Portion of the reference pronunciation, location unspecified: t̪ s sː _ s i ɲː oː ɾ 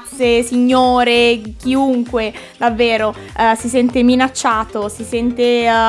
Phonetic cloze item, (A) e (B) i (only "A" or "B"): A